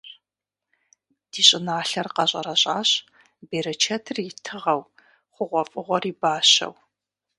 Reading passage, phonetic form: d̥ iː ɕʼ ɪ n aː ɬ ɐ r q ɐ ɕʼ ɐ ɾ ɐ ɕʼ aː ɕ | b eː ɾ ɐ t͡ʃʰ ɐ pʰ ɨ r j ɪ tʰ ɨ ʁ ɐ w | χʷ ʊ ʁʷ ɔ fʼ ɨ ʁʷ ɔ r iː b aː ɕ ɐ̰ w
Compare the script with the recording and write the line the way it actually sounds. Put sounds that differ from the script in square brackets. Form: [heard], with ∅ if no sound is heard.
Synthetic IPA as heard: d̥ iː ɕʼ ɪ n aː ɬ ɐ r q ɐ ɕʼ ɐ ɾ ɐ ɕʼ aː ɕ | b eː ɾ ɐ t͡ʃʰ ɐ [tʰ] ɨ r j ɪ tʰ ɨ ʁ ɐ w | χʷ ʊ ʁʷ ɔ fʼ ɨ ʁʷ ɔ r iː b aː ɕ ɐ̰ w